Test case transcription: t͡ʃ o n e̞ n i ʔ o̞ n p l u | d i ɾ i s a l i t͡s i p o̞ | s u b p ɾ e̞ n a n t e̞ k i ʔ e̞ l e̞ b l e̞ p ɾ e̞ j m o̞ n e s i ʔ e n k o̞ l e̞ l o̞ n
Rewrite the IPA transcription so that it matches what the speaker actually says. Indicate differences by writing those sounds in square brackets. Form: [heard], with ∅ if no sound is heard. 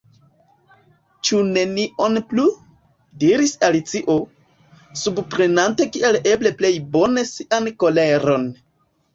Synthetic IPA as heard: t͡ʃ [u] n e̞ n i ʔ o̞ n p l u | d i ɾ i s a l i t͡s i [ʔ] o̞ | s u b p ɾ e̞ n a n t e̞ k i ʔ e̞ l e̞ b l e̞ p [l] e̞ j [b] o̞ n e s i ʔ [a] n k o̞ l e̞ [ɾ] o̞ n